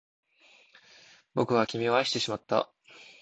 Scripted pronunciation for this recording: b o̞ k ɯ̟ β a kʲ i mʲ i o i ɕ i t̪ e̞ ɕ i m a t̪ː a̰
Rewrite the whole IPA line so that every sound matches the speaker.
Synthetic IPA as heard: b o̞ k ɯ̟ β a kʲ i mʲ i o a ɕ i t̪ e̞ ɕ i m a t̪ː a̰